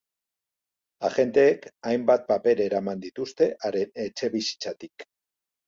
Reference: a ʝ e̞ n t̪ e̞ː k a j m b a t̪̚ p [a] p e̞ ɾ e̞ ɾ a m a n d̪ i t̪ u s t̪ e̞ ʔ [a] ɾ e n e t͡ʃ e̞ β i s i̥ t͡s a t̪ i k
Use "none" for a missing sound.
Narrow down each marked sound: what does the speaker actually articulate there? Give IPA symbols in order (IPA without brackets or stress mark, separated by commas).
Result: a, a